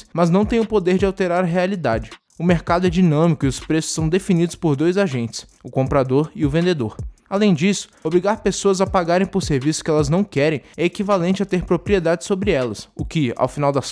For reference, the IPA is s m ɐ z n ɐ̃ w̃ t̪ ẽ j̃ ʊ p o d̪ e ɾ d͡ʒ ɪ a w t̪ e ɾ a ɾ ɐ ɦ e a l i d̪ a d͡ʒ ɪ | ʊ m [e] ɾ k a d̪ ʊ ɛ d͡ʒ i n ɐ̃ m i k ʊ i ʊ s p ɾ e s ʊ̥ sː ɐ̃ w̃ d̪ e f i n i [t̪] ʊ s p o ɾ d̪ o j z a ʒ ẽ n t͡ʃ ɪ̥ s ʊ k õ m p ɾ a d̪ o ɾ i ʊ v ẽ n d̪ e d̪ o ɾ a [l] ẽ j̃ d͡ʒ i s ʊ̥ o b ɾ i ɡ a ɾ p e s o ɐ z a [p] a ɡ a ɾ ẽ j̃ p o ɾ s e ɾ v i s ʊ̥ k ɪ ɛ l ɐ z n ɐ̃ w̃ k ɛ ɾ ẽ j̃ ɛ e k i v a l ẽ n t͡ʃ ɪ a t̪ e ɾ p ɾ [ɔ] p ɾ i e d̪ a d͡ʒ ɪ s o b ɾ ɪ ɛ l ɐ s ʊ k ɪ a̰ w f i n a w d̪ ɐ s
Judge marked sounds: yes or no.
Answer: yes, no, yes, yes, no

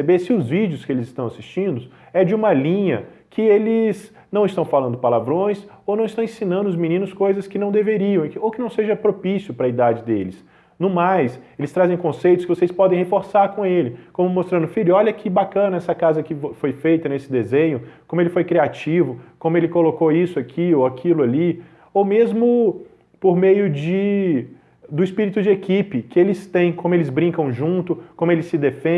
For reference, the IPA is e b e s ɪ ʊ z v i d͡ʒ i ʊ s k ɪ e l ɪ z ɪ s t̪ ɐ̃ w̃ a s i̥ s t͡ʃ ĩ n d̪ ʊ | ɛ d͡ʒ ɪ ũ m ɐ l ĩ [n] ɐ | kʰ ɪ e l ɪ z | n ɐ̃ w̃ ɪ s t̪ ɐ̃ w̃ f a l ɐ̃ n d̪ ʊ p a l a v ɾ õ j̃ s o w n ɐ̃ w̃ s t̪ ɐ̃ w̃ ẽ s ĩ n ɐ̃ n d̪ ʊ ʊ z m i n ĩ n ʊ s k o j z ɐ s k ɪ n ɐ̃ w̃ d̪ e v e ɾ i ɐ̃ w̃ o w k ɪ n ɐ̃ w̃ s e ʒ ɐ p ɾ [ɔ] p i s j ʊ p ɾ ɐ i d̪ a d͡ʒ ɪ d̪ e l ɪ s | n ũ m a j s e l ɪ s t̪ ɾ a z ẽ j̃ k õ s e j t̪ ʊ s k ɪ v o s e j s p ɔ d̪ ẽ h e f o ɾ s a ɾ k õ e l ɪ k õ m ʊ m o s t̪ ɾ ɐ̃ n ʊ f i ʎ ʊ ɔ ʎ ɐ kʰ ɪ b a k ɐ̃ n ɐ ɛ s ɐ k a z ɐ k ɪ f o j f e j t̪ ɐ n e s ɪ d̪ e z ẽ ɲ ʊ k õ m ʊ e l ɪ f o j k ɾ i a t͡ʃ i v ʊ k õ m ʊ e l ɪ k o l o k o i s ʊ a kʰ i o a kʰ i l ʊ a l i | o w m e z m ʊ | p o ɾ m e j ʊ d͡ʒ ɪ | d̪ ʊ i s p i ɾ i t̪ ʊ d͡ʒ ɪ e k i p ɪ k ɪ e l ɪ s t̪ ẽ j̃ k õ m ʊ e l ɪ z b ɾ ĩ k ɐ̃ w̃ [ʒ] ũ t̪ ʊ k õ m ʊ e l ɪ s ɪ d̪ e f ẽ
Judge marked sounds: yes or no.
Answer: no, no, yes

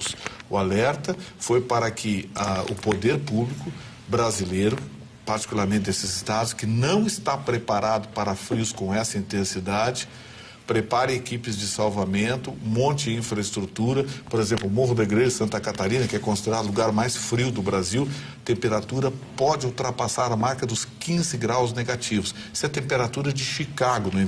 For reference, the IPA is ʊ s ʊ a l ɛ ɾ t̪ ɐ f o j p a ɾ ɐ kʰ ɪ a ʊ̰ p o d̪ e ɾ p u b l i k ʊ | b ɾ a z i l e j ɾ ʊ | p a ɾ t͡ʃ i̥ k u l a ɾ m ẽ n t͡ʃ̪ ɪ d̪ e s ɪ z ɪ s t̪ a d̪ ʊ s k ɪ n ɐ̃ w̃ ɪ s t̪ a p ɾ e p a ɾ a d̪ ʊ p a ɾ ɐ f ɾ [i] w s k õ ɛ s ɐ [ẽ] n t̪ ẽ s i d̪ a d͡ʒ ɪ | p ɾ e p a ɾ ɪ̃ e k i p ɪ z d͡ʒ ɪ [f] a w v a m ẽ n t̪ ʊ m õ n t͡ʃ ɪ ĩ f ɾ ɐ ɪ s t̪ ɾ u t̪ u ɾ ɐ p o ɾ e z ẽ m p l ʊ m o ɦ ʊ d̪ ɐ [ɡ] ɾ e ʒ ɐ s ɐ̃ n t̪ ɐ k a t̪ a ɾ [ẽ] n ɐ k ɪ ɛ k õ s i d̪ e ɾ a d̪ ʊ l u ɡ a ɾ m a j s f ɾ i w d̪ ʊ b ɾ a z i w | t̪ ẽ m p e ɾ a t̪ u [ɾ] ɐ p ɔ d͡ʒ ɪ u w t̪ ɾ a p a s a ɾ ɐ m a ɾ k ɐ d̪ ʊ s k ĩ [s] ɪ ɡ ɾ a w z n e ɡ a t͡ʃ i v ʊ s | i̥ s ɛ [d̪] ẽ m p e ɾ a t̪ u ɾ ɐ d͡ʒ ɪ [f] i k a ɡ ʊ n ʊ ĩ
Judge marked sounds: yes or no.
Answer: yes, no, no, yes, no, yes, no, no, no

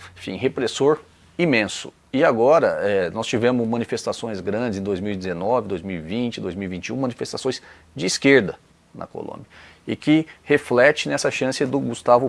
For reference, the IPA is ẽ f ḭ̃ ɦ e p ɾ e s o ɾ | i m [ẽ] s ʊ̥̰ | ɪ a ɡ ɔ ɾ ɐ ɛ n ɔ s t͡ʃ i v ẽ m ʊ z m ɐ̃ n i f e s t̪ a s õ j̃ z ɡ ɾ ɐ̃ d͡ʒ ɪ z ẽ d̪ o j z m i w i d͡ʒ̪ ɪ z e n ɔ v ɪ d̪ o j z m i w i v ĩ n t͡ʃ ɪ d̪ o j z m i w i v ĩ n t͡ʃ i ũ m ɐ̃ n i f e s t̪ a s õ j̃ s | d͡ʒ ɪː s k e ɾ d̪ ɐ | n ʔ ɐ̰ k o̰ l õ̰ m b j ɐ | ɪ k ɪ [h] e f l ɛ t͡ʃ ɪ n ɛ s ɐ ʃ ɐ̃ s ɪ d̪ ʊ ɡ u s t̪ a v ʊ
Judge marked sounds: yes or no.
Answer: yes, yes

